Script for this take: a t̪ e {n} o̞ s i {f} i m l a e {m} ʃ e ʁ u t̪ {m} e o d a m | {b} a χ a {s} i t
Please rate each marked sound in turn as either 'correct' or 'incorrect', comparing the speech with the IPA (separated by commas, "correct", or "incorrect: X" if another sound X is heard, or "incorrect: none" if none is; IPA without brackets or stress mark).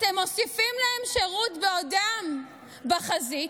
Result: incorrect: m, correct, correct, incorrect: b, correct, incorrect: z